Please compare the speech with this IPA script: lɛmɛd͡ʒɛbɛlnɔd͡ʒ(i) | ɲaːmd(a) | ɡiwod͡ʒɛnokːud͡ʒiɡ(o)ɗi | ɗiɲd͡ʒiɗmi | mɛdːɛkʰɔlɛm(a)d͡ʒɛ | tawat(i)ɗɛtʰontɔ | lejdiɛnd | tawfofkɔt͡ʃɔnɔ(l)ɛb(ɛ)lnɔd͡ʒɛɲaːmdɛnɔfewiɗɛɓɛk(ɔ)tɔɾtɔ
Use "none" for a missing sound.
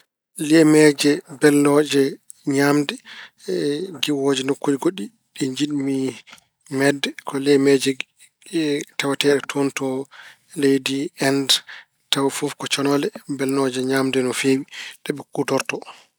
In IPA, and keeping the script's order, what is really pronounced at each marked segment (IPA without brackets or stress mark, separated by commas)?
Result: ɛ, ɛ, o, ɛ, ɛ, l, ɛ, u